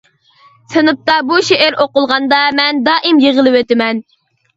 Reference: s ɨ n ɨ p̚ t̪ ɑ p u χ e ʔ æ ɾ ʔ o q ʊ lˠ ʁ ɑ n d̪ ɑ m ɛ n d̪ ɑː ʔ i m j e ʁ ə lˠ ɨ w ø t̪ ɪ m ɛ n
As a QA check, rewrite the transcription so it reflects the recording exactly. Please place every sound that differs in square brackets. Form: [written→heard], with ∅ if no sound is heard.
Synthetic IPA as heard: s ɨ n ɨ p̚ t̪ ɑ [p→b] u [χ→ʃ] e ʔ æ ɾ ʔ o q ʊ lˠ ʁ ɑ n d̪ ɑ m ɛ n d̪ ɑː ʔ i m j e ʁ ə lˠ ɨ w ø t̪ ɪ m ɛ n